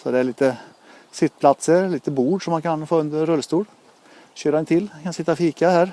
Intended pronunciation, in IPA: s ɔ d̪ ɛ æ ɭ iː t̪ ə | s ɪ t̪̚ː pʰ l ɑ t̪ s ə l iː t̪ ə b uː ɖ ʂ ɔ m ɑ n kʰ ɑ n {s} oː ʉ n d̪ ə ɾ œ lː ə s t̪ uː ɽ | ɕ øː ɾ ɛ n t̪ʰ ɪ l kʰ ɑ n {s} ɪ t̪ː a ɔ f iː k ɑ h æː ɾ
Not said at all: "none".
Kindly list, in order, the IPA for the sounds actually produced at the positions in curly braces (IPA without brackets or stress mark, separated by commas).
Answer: f, s